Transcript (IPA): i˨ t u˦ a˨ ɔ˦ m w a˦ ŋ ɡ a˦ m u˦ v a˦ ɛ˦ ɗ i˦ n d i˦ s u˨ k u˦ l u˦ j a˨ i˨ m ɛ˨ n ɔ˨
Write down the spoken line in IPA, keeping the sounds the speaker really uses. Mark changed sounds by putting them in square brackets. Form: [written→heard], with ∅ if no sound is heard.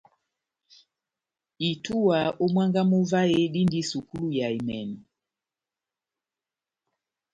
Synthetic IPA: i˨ t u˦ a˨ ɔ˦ m w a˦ ŋ ɡ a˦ m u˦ v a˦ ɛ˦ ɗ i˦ n d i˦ s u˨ k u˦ l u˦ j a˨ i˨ m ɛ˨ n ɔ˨